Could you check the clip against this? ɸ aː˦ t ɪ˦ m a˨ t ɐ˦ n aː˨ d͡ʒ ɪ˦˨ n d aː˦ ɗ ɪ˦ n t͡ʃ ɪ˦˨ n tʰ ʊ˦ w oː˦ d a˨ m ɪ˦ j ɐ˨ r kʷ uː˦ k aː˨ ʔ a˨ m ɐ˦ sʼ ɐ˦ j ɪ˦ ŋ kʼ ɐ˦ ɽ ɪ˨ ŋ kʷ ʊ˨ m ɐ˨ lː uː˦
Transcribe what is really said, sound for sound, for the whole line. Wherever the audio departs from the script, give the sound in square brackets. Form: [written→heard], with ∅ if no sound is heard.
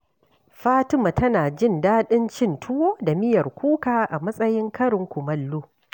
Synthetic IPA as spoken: ɸ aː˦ t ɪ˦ m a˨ t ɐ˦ n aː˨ d͡ʒ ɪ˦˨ n d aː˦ ɗ ɪ˦ n t͡ʃ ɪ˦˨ n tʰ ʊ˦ w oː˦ d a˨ m ɪ˦ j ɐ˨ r kʷ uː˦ k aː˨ ʔ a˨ m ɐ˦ sʼ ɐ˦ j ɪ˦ ŋ [kʼ→k] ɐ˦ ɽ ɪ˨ ŋ kʷ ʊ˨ m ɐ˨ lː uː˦